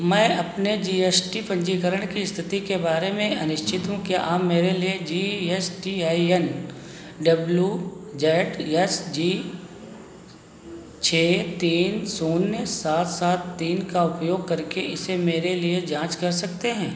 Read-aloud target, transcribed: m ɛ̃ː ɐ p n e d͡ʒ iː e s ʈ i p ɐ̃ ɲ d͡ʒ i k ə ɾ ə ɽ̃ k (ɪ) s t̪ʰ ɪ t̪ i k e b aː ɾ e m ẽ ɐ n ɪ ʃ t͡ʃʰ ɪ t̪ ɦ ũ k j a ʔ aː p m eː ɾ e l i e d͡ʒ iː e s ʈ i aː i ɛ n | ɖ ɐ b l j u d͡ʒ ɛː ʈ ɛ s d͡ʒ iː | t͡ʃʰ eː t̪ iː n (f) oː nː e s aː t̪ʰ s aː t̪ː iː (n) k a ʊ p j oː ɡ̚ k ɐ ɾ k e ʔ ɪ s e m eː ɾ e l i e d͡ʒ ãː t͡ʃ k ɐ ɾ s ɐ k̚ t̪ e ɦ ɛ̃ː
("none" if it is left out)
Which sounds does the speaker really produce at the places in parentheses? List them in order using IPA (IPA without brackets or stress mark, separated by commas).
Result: i, s, n